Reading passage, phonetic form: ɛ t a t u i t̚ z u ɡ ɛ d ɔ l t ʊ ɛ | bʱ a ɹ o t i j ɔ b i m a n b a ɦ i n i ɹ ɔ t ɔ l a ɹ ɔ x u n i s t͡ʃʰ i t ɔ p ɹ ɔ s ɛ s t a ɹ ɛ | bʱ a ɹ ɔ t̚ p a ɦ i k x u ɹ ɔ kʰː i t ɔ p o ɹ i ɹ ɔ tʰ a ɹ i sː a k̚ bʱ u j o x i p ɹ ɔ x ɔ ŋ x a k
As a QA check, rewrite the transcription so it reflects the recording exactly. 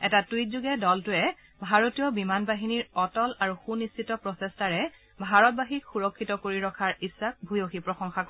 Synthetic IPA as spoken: ɛ t a t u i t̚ z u ɡ ɛ d ɔ l t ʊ ɛ | bʱ a ɹ o t i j ɔ b i m a n b a ɦ i n i ɹ ɔ t ɔ l a ɹ u x u n i s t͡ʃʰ i t ɔ p ɹ ɔ s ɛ s t a ɹ ɛ | bʱ a ɹ ɔ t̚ b a ɦ i k x u ɹ ɔ kʰː i t ɔ k o ɹ i ɹ ɔ kʰ a ɹ i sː a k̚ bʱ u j o x i p ɹ ɔ x ɔ ŋ x a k